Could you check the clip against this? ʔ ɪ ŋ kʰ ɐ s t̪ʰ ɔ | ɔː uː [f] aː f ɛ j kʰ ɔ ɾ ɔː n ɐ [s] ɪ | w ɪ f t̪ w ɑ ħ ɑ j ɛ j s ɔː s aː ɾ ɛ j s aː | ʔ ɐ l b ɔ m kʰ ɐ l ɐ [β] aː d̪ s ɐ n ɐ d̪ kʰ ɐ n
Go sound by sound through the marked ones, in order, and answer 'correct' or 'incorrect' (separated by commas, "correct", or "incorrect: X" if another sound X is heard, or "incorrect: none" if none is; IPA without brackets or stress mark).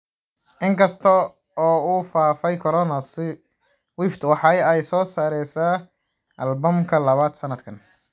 correct, correct, correct